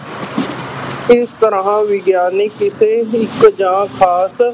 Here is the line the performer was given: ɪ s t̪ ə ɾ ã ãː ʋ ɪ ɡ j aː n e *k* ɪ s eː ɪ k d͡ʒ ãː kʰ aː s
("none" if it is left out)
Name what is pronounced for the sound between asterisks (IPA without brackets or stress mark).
k